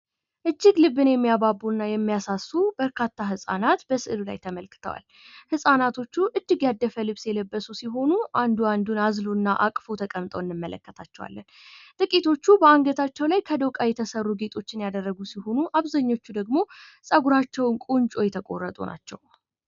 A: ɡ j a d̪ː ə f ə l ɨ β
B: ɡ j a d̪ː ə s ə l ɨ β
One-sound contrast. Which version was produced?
A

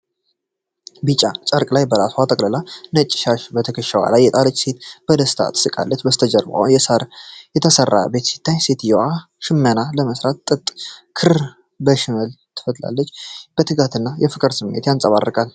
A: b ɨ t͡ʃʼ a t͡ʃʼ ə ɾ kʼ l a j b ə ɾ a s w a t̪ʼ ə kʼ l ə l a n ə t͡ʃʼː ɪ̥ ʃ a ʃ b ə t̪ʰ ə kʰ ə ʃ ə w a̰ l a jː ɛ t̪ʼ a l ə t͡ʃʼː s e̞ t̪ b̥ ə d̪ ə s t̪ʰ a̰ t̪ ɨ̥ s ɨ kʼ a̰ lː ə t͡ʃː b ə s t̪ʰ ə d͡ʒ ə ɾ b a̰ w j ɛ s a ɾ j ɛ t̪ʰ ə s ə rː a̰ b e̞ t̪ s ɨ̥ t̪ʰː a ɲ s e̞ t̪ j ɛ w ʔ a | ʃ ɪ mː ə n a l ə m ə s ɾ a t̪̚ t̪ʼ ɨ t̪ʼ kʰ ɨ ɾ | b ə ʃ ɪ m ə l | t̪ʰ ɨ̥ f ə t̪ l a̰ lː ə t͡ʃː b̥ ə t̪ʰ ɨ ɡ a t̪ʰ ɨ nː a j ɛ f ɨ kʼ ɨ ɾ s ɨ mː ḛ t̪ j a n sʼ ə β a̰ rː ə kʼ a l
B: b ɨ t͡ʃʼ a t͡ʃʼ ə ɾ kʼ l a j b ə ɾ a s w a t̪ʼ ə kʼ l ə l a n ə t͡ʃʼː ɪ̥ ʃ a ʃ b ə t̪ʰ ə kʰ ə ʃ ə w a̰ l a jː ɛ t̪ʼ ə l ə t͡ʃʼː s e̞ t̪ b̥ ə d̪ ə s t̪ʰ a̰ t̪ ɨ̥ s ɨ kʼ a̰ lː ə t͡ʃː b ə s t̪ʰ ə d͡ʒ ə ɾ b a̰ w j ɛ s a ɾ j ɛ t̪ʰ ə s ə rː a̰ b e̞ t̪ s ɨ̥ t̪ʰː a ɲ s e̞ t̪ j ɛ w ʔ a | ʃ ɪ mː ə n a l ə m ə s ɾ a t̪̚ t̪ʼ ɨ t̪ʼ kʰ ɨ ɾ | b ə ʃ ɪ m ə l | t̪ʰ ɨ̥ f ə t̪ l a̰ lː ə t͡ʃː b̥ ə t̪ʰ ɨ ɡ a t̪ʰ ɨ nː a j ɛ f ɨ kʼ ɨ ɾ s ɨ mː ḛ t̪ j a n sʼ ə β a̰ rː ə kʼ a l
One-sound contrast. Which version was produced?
A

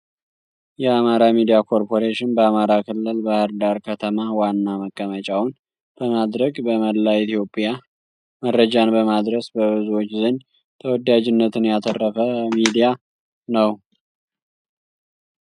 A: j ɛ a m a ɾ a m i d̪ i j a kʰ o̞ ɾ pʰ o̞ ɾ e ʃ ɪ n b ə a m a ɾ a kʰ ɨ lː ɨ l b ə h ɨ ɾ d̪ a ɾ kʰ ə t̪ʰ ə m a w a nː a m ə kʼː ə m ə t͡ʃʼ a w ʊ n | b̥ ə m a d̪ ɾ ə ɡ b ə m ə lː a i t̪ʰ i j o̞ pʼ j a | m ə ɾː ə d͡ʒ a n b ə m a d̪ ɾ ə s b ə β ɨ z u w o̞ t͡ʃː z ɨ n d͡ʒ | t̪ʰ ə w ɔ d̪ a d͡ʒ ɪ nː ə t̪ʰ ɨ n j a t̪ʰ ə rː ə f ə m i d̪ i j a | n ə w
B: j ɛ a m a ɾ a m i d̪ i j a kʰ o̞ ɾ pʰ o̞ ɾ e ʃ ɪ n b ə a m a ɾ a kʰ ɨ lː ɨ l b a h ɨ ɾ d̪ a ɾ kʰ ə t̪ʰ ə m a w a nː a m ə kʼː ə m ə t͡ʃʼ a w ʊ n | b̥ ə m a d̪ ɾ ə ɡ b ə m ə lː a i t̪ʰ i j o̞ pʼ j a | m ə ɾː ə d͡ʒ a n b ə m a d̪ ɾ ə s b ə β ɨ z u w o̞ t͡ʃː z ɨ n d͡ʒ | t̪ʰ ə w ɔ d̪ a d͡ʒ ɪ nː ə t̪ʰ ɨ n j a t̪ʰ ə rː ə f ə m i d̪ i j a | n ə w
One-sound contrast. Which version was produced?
B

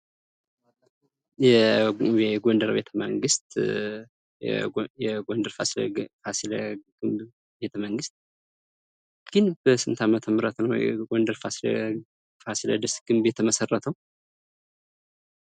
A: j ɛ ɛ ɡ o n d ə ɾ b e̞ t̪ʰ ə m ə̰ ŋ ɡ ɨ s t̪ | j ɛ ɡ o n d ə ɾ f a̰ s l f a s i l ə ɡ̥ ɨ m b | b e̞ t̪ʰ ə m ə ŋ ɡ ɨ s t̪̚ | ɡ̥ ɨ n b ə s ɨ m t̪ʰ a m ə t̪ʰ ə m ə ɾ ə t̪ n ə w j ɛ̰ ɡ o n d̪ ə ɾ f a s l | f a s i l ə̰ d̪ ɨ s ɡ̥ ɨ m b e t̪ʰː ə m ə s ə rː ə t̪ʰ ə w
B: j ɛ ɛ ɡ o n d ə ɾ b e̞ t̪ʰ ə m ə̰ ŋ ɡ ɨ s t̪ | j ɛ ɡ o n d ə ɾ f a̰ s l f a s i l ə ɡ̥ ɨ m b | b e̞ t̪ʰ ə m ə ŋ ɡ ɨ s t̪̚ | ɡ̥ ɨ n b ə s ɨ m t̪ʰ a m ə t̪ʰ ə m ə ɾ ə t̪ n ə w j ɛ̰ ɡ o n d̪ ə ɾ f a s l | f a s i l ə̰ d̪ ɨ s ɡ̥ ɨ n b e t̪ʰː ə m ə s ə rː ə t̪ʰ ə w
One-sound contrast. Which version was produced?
A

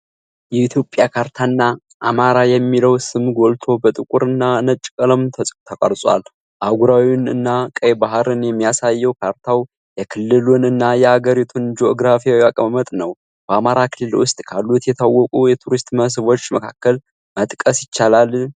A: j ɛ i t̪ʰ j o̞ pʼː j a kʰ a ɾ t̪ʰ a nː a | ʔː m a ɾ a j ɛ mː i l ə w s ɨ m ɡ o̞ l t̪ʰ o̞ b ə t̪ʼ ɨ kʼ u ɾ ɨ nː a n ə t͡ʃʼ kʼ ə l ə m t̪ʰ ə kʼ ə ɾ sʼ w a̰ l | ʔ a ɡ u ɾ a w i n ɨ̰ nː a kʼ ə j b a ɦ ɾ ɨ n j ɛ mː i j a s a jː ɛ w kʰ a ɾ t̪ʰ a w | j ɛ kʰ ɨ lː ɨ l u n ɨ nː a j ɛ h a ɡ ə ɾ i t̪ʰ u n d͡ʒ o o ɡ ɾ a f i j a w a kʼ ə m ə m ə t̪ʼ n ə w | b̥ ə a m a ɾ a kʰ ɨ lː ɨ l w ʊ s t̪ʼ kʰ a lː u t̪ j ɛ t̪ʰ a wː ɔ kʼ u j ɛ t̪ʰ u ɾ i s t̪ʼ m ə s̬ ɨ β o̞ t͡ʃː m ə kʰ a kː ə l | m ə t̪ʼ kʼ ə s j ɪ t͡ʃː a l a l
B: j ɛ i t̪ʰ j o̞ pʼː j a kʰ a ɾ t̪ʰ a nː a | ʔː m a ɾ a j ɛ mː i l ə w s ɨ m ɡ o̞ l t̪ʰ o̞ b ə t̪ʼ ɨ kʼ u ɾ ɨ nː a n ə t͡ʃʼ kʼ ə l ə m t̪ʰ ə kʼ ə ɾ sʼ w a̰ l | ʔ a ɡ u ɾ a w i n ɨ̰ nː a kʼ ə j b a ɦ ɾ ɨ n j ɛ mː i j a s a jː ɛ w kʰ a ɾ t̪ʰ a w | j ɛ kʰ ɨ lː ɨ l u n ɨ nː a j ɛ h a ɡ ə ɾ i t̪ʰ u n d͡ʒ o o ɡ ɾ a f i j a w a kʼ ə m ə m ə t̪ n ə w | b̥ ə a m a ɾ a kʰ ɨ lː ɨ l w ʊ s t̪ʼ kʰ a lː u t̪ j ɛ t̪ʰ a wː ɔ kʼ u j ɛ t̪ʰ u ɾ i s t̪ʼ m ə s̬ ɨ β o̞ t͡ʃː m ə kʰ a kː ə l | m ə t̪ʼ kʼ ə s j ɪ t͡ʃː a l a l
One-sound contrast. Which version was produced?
A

